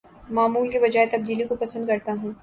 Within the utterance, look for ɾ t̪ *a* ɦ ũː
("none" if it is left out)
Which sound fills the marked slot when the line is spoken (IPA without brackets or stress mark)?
a